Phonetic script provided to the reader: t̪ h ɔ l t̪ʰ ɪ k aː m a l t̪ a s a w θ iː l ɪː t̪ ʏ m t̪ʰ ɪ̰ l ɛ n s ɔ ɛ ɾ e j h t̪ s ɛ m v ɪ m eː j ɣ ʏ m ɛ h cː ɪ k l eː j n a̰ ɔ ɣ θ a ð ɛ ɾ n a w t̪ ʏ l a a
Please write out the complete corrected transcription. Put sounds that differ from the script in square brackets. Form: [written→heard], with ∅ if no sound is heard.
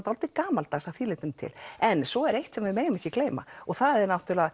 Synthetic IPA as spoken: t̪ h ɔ l [t̪ʰ→t̪] ɪ k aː m a l t̪ a s a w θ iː l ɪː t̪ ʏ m t̪ʰ ɪ̰ l ɛ n s ɔ ɛ ɾ e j h t̪ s ɛ m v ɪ m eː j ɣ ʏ m ɛ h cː ɪ k l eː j [n→m] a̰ ɔ ɣ θ a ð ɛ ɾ n a w t̪ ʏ l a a